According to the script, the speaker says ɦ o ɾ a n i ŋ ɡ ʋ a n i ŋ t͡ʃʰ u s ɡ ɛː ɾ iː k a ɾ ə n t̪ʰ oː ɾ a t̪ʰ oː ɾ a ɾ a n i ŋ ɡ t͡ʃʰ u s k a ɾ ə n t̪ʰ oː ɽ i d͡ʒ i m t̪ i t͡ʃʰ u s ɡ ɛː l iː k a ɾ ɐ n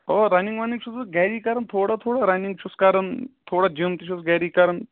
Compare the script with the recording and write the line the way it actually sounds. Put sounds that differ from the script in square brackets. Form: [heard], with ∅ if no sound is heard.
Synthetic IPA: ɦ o ɾ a n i ŋ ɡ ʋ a n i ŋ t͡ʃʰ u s ɡ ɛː ɾ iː k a ɾ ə n t̪ʰ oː [ɽ] a t̪ʰ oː [ɽ] a ɾ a n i ŋ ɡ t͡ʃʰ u s k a ɾ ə n t̪ʰ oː ɽ [a] d͡ʒ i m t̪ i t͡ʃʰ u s ɡ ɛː [ɾ] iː k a ɾ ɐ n